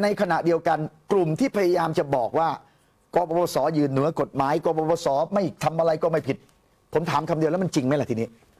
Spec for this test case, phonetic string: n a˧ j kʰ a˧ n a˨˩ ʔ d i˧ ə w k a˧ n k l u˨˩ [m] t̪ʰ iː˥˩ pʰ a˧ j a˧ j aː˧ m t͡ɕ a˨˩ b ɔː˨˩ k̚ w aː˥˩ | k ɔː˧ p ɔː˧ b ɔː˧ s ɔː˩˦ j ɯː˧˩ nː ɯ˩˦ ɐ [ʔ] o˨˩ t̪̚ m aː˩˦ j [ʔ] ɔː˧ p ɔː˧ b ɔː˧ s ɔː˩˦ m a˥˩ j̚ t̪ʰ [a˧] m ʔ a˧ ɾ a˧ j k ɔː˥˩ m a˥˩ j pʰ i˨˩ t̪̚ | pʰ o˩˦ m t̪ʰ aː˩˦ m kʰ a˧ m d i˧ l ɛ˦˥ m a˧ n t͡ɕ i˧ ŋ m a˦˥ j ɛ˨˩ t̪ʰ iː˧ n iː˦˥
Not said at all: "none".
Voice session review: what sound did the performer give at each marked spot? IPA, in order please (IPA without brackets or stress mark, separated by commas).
m, k, k, a˧